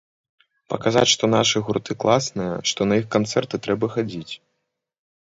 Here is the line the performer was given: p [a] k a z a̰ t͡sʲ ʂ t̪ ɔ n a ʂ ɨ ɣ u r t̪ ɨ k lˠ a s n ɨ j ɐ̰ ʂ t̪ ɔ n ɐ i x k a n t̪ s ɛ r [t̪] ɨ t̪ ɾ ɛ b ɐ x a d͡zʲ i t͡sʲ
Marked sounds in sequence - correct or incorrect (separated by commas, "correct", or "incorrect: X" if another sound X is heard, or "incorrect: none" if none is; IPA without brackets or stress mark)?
incorrect: ɐ, correct